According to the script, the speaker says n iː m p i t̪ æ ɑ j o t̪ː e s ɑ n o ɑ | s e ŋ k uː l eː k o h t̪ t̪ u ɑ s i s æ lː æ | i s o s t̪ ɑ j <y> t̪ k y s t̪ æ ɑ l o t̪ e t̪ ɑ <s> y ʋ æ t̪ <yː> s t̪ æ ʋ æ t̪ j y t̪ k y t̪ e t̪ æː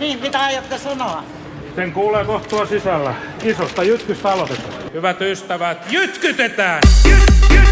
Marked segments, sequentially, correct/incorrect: correct, incorrect, incorrect

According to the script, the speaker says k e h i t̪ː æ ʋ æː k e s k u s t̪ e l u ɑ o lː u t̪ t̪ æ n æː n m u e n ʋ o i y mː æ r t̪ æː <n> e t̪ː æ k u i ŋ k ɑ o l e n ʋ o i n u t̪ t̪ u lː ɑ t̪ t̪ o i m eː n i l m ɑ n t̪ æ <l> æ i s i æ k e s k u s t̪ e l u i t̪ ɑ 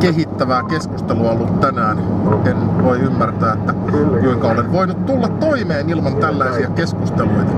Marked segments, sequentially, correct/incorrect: incorrect, incorrect

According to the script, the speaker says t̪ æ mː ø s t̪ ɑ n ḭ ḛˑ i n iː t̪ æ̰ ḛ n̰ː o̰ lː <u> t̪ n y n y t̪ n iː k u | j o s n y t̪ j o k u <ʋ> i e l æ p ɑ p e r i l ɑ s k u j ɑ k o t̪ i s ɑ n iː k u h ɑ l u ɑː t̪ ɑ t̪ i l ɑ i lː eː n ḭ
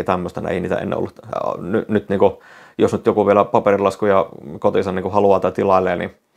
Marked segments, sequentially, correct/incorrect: correct, correct

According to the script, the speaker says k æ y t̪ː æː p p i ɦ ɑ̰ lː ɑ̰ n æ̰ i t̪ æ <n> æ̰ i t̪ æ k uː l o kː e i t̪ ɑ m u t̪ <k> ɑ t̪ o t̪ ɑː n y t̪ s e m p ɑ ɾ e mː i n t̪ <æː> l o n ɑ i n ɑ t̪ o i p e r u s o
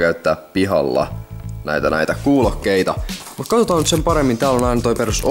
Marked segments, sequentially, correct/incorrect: correct, correct, correct

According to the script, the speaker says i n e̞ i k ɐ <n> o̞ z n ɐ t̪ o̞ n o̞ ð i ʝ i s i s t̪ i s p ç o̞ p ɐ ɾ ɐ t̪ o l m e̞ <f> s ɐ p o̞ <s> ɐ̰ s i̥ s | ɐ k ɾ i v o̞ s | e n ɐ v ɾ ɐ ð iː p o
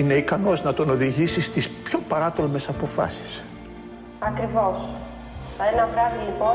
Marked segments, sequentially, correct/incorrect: correct, incorrect, incorrect

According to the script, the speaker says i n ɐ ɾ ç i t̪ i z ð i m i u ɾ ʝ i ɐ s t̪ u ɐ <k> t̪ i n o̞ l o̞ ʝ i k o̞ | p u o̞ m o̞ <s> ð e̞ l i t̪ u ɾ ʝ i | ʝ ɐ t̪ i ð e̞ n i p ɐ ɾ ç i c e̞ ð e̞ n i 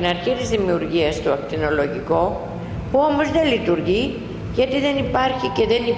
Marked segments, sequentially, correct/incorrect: correct, incorrect

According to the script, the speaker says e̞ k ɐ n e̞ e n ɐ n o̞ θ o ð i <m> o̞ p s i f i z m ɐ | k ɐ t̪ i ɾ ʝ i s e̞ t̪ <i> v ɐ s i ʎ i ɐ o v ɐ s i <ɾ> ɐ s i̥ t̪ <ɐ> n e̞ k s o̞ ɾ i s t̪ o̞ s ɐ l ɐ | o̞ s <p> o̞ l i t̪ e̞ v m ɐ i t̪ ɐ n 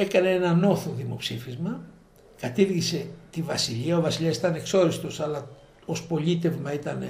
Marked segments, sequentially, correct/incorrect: correct, correct, incorrect, correct, correct

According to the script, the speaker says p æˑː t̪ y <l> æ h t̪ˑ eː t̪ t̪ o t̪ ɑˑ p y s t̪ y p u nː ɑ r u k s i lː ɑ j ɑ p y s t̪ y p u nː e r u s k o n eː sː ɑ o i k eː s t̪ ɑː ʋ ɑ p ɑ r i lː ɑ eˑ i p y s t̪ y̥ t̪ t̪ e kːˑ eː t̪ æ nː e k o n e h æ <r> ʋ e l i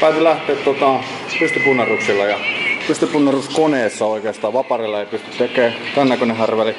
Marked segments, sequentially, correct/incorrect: correct, correct

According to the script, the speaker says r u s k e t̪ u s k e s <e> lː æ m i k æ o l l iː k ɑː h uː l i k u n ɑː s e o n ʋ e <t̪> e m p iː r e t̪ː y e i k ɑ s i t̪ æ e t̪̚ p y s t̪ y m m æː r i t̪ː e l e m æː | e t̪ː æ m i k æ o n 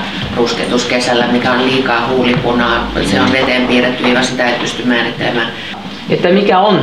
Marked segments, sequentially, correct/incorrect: incorrect, correct

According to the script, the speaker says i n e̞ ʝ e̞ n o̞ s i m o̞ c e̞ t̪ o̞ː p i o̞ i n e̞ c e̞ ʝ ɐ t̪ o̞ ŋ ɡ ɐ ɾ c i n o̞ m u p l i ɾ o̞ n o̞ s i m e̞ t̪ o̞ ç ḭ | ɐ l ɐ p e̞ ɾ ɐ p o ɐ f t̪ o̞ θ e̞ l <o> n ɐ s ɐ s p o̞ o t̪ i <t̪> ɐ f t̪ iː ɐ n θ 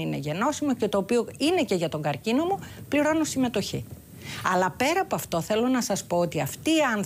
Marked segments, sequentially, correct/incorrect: correct, incorrect

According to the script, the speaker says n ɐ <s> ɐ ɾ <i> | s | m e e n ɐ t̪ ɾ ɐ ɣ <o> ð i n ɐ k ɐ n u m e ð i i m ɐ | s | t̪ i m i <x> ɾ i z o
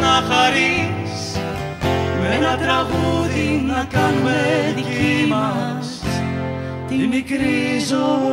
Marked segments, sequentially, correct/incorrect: incorrect, correct, incorrect, incorrect

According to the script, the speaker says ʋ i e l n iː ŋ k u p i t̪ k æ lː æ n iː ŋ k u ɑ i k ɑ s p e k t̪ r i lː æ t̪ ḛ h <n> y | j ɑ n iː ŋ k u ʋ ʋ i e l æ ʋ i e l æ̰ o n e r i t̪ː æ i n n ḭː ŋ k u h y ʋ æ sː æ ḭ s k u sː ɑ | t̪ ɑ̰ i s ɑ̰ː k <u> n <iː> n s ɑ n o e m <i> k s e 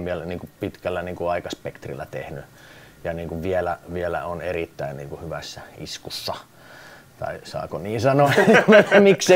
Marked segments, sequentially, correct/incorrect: correct, incorrect, correct, correct

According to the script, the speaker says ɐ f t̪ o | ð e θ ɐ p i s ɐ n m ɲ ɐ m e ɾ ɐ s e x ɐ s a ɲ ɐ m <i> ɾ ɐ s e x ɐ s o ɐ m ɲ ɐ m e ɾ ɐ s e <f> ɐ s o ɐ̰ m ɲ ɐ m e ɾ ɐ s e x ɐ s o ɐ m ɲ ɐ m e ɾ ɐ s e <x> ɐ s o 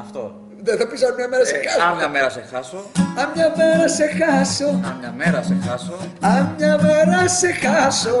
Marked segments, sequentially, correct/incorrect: incorrect, incorrect, correct

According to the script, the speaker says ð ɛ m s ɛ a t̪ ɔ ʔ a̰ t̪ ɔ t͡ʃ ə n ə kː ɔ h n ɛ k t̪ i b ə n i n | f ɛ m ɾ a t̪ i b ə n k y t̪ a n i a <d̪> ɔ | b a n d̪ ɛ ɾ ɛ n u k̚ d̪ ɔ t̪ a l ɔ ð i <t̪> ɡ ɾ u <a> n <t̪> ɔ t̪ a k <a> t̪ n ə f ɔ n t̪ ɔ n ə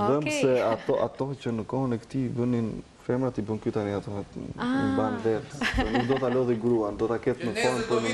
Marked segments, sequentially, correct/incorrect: incorrect, incorrect, correct, incorrect, incorrect

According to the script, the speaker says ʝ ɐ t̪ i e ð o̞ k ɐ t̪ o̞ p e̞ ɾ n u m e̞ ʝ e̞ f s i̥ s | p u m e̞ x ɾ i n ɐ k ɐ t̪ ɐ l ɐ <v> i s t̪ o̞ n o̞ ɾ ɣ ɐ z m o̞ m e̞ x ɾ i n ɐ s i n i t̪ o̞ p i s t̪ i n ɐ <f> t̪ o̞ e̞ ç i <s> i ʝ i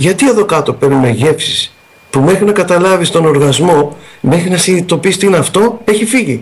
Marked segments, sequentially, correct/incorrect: correct, correct, incorrect

